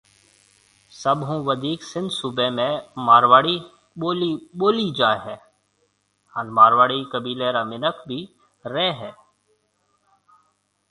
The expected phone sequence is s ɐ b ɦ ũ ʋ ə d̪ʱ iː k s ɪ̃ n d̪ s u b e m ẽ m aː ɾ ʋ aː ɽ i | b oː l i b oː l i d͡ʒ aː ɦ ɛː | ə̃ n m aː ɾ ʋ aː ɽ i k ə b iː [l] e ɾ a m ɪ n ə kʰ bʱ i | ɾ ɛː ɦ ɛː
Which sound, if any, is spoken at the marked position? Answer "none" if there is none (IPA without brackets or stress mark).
l